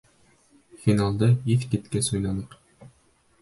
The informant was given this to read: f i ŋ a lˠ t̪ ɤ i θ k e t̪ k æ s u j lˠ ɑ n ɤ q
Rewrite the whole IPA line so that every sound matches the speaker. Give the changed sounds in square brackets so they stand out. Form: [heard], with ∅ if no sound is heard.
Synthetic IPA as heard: f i [n] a lˠ [d̪] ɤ i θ k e t̪ k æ s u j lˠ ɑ n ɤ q